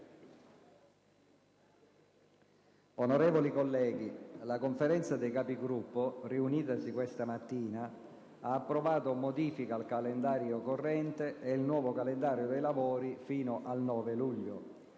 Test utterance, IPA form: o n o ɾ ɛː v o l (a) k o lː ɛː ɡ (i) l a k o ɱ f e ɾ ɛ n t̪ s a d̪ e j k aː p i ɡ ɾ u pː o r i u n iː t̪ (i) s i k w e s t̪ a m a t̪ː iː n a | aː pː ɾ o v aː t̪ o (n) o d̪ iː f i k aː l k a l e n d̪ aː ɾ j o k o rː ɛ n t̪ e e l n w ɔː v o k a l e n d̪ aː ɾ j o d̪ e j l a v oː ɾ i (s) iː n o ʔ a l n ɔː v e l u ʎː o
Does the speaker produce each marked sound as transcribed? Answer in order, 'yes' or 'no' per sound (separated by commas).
no, yes, no, no, no